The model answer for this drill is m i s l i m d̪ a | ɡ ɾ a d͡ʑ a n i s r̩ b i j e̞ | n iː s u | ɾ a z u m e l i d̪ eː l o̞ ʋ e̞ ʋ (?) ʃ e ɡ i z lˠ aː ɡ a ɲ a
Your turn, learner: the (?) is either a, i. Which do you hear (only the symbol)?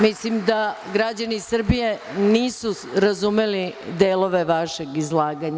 a